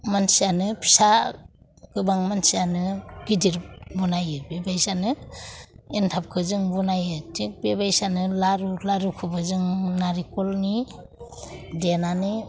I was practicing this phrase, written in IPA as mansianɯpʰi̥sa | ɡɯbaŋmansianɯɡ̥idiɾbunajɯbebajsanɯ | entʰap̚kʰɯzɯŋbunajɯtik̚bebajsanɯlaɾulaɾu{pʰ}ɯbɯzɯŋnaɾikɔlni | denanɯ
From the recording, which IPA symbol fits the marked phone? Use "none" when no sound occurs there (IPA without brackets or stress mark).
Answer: kʰ